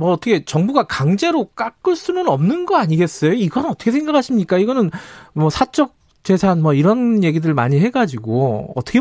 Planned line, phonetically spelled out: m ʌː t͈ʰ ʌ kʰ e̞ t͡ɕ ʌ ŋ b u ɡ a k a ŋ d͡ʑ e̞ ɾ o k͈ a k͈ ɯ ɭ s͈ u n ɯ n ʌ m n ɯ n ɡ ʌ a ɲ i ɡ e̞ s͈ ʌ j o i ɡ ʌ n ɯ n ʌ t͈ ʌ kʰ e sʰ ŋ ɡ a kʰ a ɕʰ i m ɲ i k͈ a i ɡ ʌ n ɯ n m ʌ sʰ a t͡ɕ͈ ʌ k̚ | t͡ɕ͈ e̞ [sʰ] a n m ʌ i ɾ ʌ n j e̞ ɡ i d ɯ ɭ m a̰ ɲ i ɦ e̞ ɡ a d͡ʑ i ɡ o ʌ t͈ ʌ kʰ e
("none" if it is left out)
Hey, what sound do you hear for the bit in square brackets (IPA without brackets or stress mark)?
sʰ